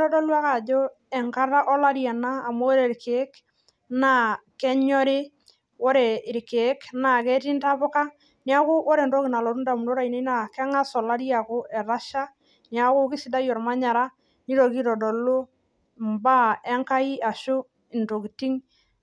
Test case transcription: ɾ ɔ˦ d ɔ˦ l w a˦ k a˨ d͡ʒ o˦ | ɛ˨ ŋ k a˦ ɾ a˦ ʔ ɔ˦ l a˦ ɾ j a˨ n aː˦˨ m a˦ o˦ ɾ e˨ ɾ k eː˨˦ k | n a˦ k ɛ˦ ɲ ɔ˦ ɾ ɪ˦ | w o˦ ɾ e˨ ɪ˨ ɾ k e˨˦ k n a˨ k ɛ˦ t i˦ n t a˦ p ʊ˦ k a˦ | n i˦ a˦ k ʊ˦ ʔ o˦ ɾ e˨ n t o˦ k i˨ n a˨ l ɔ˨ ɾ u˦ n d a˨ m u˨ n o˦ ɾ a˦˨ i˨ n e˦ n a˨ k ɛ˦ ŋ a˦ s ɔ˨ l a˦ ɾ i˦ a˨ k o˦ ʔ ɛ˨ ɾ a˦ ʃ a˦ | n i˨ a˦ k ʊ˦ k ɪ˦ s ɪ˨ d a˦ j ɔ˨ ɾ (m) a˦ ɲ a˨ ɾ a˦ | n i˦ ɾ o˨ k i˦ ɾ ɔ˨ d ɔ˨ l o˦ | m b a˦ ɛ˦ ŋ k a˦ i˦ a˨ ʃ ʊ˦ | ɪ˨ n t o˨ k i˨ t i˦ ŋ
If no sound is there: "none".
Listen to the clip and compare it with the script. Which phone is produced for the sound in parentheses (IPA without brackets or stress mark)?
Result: m